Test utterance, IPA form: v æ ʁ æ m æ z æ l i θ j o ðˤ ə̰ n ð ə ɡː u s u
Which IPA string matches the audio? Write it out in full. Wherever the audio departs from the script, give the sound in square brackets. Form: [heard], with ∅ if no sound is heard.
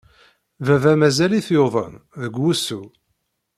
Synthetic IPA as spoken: v æ [v] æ m æ z æ l i θ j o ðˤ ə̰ n ð ə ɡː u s u